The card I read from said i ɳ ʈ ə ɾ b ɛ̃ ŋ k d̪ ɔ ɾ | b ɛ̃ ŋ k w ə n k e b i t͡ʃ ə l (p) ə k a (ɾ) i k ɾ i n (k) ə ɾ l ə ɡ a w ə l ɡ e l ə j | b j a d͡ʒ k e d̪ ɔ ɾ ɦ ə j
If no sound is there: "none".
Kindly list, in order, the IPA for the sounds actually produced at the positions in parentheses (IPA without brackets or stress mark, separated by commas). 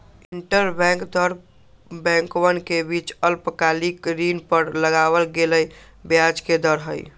p, l, p